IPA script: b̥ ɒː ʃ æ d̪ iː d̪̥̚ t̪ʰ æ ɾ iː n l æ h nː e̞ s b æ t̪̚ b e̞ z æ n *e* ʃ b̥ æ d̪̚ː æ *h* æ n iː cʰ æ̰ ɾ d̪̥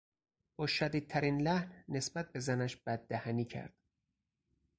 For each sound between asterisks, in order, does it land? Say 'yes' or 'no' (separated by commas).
no, yes